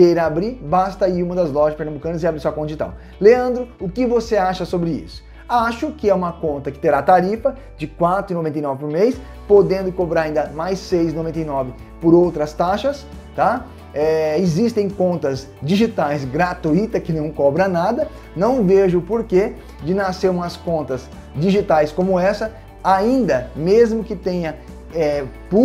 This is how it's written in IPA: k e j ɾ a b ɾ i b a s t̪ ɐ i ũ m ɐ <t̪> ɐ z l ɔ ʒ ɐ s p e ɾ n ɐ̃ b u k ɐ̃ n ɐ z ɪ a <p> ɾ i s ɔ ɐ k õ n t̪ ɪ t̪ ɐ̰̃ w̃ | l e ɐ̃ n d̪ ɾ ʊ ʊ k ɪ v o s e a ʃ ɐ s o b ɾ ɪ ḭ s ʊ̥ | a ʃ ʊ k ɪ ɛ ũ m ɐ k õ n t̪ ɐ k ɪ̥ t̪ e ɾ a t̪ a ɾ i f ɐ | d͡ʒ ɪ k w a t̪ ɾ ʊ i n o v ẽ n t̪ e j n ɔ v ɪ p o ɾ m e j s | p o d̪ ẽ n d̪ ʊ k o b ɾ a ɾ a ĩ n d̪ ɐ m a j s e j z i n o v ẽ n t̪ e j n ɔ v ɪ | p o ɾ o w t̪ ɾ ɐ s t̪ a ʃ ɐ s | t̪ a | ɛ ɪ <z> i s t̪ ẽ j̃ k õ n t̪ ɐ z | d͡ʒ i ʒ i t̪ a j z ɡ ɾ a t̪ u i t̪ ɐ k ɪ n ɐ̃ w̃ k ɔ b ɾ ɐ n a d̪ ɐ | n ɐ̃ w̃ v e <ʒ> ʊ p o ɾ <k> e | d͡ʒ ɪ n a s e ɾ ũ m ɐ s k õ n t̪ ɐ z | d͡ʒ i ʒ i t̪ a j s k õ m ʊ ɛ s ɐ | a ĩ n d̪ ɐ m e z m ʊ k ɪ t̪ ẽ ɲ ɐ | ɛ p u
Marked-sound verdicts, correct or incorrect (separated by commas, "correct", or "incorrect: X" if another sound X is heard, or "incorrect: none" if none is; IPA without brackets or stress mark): incorrect: d̪, incorrect: b, correct, correct, correct